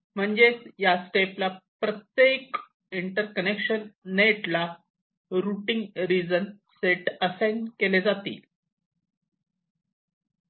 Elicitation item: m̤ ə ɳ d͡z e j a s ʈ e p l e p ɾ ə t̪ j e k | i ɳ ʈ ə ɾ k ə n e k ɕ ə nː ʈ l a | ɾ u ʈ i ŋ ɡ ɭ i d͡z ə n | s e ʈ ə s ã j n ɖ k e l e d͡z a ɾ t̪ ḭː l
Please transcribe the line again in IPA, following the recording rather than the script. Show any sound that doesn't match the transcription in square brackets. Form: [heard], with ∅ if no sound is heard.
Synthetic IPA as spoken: m̤ ə ɳ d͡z e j a s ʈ e p l [a] p ɾ ə t̪ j e k | i ɳ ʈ ə ɾ k ə n e k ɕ ə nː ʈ l a | ɾ u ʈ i ŋ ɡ [ɾ] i d͡z ə n | s e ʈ ə s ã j n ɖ k e l e d͡z a [∅] t̪ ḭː l